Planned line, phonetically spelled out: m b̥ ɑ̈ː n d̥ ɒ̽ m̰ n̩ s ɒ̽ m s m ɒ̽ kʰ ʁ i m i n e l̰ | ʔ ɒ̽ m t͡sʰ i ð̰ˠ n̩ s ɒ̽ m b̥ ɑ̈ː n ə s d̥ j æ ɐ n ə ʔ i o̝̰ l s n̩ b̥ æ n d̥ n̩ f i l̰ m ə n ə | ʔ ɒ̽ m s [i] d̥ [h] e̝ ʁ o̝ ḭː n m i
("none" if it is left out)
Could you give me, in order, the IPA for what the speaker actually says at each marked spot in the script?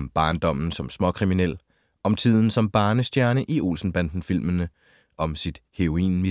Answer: i, h

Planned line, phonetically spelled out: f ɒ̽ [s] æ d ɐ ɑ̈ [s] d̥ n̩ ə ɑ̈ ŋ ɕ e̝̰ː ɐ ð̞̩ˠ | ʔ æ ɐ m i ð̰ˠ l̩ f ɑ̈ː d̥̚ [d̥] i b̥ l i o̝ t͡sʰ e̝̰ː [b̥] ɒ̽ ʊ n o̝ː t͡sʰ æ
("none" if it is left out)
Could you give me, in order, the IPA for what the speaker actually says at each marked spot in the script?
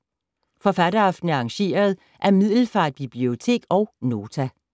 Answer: f, f, b̥, ɡ̥

